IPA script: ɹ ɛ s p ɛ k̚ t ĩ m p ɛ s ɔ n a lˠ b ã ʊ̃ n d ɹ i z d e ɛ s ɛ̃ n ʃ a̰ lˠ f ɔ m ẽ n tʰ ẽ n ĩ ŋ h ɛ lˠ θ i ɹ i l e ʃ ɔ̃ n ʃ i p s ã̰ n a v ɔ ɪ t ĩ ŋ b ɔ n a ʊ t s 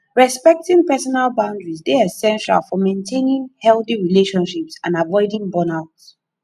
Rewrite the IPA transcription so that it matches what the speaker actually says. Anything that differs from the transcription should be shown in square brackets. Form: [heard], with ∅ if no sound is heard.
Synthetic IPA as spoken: ɹ ɛ s p ɛ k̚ t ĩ [ŋ] p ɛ s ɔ n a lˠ b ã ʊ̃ n d ɹ i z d e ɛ s ɛ̃ n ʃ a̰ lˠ f ɔ m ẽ n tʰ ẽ n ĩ ŋ h ɛ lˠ θ i ɹ i l e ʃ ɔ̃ n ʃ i p s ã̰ n a v ɔ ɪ [d] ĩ ŋ b ɔ n a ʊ t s